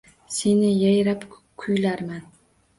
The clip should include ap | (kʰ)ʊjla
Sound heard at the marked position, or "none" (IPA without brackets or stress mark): kʰ